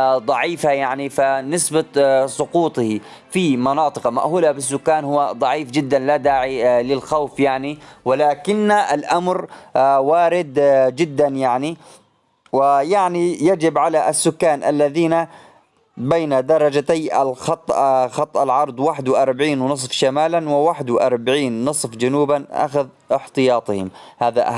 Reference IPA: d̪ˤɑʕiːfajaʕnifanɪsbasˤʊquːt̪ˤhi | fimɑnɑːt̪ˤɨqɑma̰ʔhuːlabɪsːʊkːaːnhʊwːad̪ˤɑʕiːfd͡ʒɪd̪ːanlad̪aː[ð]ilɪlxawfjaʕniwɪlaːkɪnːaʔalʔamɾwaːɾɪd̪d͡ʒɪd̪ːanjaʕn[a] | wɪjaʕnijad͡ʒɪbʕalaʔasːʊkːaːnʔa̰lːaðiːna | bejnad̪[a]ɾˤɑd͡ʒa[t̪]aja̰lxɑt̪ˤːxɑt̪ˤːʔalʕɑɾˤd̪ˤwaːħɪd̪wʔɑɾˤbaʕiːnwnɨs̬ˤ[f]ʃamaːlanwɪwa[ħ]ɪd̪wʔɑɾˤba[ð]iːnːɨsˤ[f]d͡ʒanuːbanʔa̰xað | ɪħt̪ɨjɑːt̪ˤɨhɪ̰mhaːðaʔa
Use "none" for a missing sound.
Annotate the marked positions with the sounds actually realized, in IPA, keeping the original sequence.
ʕ, i, ɑ, t̪, f, ħ, ʕ, f

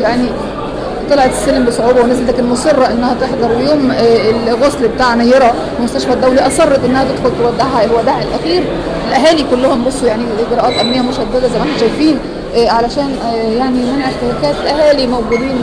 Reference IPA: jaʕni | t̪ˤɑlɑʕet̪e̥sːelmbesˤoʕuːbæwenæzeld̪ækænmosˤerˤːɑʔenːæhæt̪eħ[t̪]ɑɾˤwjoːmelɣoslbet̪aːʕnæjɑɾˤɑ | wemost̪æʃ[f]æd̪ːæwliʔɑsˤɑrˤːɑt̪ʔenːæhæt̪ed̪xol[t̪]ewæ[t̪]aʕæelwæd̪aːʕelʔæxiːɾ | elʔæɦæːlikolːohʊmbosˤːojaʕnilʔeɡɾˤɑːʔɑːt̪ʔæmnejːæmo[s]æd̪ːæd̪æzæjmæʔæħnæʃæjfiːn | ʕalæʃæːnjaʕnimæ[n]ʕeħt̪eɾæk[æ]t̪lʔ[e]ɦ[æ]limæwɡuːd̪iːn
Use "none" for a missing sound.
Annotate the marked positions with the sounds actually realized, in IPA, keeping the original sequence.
d̪, f, t̪, d̪, ʃ, n, æː, æ, æː

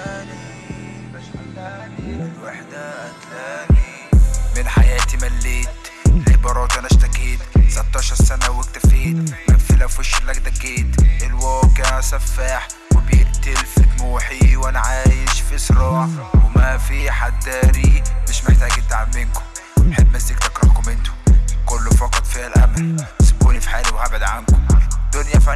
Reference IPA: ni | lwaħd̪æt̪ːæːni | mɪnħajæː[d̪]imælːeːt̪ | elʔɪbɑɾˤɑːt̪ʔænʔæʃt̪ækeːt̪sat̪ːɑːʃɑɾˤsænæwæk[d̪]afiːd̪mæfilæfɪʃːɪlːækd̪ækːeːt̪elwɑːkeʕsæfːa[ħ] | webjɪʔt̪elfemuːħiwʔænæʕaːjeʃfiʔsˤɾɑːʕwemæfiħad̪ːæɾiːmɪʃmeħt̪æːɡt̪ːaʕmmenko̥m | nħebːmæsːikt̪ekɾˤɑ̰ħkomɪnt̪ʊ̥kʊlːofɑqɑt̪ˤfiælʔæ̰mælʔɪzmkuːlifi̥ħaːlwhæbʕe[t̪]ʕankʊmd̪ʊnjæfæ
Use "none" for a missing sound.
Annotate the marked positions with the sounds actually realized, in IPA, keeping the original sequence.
t̪, t̪, ħ, d̪

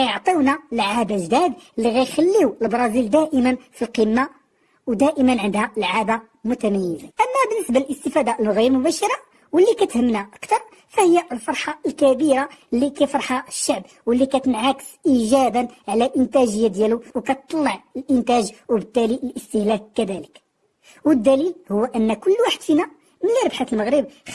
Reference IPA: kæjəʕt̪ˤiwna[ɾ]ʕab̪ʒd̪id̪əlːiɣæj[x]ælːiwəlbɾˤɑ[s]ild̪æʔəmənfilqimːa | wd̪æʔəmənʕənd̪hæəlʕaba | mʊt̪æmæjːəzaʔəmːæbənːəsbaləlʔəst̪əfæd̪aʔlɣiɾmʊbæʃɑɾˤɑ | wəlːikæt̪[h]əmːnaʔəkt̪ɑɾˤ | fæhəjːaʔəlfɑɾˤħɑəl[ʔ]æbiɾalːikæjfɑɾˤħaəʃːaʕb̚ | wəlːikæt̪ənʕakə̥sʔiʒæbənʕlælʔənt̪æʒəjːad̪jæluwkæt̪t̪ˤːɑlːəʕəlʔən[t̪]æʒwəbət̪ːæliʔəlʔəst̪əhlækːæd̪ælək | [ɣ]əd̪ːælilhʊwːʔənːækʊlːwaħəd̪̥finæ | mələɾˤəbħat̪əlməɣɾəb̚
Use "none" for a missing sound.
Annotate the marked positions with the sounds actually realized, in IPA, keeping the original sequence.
l, x, z, h, k, t̪, w

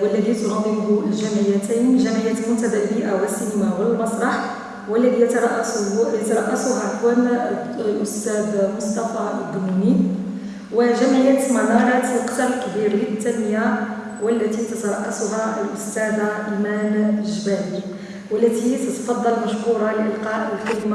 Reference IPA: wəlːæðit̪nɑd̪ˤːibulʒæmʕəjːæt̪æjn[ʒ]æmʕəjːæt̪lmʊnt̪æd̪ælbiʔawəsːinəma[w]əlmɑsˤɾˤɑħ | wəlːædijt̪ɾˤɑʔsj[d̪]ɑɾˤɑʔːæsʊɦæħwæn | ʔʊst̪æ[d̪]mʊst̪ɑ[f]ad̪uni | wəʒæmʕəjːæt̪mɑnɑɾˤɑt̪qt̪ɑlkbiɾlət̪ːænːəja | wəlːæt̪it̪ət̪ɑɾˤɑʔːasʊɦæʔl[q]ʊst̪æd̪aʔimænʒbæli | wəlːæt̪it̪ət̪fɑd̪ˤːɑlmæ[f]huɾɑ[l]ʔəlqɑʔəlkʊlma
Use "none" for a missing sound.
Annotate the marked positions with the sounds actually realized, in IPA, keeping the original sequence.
ʒ, w, t̪, d̪, f, ʔ, ʃ, l

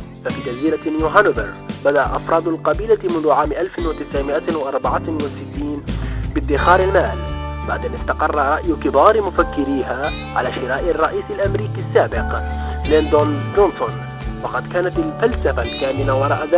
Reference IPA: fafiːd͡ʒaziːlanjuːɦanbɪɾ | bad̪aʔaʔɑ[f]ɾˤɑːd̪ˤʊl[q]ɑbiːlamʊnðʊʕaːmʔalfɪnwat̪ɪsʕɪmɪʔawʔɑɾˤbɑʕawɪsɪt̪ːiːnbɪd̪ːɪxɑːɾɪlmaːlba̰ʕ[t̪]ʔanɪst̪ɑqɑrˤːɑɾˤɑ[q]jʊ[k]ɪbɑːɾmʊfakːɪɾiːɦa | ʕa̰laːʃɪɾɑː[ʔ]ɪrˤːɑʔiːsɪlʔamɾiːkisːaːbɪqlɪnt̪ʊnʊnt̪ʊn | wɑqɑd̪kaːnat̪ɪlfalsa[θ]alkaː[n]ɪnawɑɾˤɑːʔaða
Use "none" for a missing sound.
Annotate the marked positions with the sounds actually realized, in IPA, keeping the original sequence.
f, q, d̪, ʔ, k, ʔ, f, m

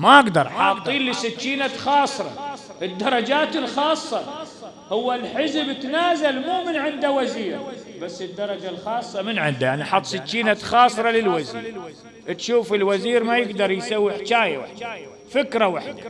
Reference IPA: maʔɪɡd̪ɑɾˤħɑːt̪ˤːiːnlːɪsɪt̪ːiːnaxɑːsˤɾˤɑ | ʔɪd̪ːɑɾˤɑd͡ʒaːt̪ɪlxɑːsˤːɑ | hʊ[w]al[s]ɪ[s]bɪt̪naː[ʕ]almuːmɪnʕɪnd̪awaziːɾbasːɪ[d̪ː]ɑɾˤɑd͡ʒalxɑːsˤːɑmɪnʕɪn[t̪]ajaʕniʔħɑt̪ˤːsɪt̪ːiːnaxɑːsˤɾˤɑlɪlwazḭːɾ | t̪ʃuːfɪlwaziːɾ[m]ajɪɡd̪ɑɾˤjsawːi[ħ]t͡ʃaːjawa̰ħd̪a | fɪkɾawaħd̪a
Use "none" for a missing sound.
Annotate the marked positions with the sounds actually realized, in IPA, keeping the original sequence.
wː, ħ, z, z, d̪ː, d̪, m, ħ

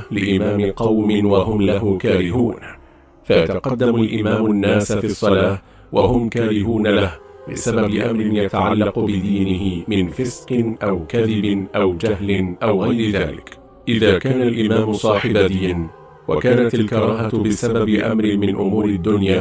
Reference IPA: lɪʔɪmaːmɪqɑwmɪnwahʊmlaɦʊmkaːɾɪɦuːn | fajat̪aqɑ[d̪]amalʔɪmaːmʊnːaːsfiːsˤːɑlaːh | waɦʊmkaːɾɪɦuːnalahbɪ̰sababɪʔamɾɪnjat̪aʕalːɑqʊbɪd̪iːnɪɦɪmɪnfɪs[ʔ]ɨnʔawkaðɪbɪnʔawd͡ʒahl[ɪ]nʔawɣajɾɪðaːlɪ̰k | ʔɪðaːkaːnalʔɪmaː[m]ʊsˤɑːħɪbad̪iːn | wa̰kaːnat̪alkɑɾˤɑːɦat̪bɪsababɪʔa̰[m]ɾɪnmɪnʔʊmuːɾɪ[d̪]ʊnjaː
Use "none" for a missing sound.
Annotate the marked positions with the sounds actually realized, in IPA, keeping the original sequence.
d̪ː, q, ɪ, m, m, d̪ː

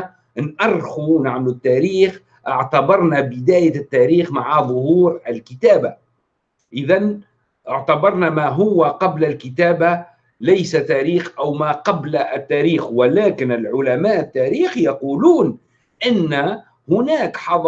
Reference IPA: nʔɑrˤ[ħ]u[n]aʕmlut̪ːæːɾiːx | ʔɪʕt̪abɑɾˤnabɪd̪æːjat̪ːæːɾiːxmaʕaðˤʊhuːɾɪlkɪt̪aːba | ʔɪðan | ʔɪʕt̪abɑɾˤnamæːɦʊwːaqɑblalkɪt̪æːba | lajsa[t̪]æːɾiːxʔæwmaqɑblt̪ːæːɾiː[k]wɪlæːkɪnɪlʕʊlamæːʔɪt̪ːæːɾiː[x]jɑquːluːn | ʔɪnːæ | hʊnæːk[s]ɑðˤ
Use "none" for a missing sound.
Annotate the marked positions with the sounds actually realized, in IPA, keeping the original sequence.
x, n, t̪, x, x, ħ

